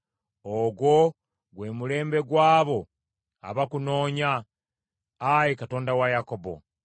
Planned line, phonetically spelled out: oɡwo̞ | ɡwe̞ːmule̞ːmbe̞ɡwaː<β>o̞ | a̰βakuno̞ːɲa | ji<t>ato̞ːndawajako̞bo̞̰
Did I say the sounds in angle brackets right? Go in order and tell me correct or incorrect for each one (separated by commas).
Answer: correct, incorrect